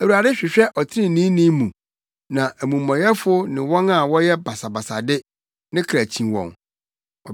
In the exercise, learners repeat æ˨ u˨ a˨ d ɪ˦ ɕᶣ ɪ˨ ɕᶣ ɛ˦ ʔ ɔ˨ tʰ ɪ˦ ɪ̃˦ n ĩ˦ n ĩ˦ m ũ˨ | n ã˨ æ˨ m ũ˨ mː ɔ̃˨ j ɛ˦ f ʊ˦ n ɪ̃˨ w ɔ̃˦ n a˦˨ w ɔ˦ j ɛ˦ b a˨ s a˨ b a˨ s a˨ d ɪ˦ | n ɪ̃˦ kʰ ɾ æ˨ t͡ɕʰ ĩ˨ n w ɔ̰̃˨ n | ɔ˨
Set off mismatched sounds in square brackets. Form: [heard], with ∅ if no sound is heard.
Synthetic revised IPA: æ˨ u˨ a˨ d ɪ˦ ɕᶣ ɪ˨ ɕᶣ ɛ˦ ʔ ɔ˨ tʰ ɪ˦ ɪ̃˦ n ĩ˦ n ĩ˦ m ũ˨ | n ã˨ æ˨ m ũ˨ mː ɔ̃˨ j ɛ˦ f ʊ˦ n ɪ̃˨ w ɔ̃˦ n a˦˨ w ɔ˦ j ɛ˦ b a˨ s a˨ b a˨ s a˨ d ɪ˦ | n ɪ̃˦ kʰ ɾ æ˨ t͡ɕʰ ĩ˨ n w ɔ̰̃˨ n | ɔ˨